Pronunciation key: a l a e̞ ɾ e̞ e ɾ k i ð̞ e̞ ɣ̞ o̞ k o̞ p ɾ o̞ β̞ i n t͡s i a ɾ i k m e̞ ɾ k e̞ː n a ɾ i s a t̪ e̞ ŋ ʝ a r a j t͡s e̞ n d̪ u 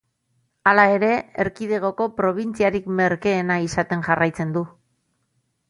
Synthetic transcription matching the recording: a l a e̞ ɾ e̞ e ɾ k i ð̞ e̞ ɣ̞ o̞ k o̞ p ɾ o̞ β̞ i n t͡s i a ɾ i k m e̞ ɾ k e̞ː n a i s a t̪ e̞ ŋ ʝ a r a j t͡s e̞ n d̪ u